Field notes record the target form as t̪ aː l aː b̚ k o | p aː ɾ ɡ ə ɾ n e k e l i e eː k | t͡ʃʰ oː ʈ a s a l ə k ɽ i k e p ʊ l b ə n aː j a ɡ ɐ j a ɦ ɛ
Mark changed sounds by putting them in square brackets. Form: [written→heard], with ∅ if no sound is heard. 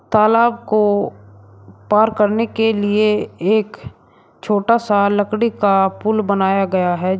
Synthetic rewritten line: t̪ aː l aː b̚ k o | p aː ɾ [ɡ→k] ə ɾ n e k e l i e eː k | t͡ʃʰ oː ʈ a s a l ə k ɽ i k [e→a] p ʊ l b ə n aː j a ɡ ɐ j a ɦ ɛ